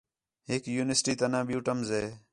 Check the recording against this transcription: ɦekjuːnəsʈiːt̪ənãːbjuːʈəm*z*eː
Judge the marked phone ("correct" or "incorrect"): correct